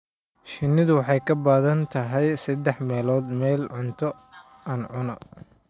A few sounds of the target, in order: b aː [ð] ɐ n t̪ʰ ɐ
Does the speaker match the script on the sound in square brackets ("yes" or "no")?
yes